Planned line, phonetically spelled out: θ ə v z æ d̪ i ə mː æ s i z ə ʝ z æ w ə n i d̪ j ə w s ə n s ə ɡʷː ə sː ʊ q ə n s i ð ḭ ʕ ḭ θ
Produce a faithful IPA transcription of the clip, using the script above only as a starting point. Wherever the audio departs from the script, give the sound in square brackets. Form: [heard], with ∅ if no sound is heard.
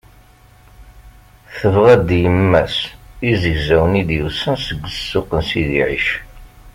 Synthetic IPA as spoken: θ ə v [ʁ] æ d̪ [j] ə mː æ s i z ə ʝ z æ w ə n i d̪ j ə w s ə n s ə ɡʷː ə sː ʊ q ə n s i ð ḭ ʕ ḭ [ʃ]

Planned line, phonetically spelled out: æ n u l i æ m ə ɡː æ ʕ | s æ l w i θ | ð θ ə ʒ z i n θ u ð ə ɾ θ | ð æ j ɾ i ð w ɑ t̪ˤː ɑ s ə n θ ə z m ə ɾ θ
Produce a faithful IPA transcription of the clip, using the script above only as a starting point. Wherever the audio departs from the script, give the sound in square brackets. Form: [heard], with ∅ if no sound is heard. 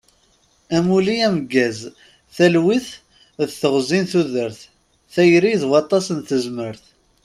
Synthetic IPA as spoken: æ [m] u l i æ m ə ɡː æ [z] | [θ] æ l w i θ | ð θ ə [ʁ] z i n θ u ð ə ɾ θ | [θ] æ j ɾ i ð w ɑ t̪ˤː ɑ s ə n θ ə z m ə ɾ θ

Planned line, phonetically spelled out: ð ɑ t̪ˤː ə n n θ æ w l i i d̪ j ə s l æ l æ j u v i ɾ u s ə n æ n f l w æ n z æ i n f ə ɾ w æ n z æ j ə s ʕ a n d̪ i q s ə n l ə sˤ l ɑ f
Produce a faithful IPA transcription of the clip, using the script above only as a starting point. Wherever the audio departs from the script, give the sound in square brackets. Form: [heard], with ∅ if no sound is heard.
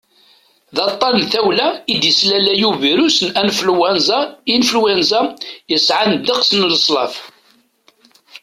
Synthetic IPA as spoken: ð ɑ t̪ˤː [ɑ] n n θ æ w l [æ] i d̪ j ə s l æ l æ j u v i ɾ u s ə n æ n f l w æ n z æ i n f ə [l] w æ n z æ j ə s ʕ a n d̪ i q s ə n l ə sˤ l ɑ f

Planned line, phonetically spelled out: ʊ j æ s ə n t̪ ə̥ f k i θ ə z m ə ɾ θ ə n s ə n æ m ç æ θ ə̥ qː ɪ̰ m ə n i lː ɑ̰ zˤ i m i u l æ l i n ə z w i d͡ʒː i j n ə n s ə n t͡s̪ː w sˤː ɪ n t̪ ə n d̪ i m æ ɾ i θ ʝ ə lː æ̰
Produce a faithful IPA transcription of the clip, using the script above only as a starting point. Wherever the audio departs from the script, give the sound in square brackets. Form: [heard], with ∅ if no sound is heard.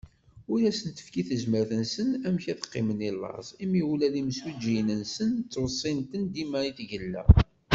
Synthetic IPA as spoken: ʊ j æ s ə n t̪ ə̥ f k i θ ə z m ə ɾ θ ə n s ə n æ m ç æ θ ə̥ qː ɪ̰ m ə n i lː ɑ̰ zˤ i m i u l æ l i [m] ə [s] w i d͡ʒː i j n ə n s ə n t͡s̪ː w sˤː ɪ n t̪ ə n d̪ i m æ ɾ i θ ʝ ə lː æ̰

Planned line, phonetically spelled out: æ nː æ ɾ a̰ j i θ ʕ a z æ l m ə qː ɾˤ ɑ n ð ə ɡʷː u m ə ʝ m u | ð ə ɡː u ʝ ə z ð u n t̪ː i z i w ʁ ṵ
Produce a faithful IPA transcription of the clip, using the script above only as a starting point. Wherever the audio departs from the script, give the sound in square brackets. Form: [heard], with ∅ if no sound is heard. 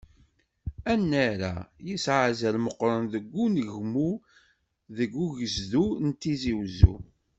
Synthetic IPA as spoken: æ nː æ ɾ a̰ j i [s] ʕ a z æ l m ə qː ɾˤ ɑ n ð ə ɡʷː u [n] ə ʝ m u | ð ə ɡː u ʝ ə z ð u n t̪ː i z i w [z] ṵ

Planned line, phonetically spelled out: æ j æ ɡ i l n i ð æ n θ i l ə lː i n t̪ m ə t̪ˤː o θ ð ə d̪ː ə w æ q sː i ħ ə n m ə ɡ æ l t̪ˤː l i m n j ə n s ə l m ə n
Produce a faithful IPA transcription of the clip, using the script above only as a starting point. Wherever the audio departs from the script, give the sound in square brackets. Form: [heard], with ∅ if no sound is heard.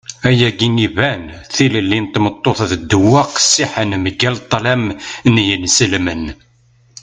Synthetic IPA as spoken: æ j æ ɡ i [∅] n i [v] æ n θ i l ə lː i n t̪ m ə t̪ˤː o θ ð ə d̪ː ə w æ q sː i ħ ə n m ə ɡ æ l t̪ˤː l [æ] m n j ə n s ə l m ə n

